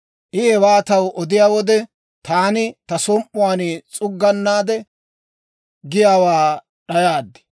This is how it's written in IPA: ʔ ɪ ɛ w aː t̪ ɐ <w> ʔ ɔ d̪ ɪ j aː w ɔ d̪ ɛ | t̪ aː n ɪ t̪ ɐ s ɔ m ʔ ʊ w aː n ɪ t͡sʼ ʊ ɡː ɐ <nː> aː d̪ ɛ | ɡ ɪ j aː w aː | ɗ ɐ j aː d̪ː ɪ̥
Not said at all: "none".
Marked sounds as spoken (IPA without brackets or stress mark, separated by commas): w, nː